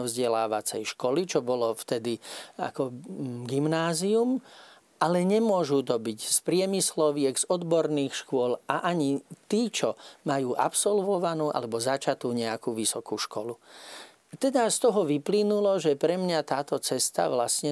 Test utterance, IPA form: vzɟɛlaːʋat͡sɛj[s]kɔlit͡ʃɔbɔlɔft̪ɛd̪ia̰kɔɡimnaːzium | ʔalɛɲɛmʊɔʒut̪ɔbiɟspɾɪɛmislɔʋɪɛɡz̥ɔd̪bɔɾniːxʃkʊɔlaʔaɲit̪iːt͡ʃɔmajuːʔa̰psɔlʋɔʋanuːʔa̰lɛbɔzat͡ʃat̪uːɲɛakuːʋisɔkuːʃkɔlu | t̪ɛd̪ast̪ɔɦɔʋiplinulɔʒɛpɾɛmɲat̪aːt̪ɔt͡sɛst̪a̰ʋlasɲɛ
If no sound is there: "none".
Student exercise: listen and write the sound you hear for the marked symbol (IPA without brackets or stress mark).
ʃ